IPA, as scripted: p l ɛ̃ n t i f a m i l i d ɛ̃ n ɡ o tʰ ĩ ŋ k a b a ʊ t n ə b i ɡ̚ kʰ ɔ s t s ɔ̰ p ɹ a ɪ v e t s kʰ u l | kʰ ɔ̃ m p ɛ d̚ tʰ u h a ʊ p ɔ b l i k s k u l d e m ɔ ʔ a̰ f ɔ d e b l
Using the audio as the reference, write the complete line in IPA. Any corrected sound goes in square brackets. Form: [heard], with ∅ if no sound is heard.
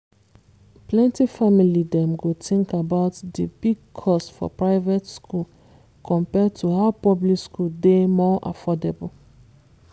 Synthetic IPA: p l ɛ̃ n t i f a m i l i d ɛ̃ [m] ɡ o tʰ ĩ ŋ k a b a ʊ t [d] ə b i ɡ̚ kʰ ɔ s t [f] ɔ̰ p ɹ a ɪ v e t s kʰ u l | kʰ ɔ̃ m p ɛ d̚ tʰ u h a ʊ p ɔ b l i k s k u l d e m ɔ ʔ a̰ f ɔ d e b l